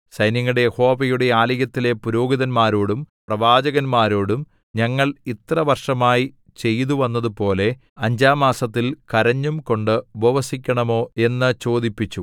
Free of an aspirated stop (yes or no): yes